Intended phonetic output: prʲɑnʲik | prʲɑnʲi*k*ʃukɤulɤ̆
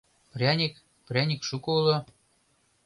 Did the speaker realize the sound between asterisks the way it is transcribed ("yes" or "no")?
yes